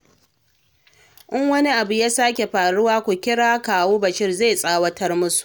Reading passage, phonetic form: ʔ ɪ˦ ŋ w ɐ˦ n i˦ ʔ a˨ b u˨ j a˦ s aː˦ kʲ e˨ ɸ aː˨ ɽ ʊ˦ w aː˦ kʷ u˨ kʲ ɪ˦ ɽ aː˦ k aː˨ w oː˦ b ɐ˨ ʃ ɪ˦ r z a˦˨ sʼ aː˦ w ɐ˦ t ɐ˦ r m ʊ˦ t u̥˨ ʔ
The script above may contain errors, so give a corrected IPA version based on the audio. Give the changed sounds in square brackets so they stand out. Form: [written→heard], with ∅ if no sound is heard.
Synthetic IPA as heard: ʔ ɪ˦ ŋ w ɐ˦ n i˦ ʔ a˨ b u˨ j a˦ s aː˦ kʲ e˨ ɸ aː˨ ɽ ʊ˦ w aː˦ kʷ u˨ kʲ ɪ˦ ɽ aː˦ k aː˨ w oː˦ b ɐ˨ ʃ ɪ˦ r z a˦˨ sʼ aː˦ w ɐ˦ t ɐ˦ r m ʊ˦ [t→s] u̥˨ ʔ